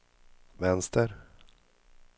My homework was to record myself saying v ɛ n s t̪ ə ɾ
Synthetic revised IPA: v ɛ n s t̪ ə ɾ